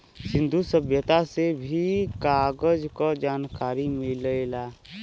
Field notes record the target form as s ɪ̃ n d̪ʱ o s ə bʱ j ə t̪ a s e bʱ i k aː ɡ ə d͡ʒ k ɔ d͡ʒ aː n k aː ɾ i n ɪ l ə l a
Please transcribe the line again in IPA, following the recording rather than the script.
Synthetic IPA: s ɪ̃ n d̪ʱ u s ə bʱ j ə t̪ a s e bʱ i k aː ɡ ə d͡ʒ k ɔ d͡ʒ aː n k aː ɾ i m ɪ l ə l a